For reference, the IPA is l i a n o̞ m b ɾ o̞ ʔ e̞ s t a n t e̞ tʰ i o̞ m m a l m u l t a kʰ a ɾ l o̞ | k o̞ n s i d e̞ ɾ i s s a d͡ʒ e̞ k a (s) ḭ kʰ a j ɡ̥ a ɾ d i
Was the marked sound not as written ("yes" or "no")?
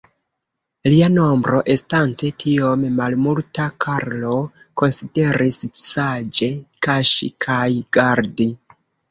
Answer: yes